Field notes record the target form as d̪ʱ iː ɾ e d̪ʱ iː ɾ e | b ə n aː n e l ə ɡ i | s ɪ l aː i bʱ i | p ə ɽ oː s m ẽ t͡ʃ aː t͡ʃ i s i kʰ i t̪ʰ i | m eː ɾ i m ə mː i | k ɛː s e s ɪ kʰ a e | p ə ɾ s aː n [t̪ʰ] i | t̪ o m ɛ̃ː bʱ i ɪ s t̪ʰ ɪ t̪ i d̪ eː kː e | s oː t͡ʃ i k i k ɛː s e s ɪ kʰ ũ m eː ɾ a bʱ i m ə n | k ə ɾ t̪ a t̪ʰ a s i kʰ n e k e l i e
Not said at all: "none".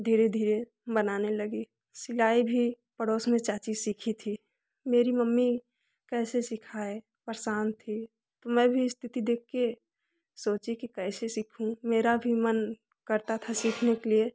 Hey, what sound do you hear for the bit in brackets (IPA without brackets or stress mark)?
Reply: t̪ʰ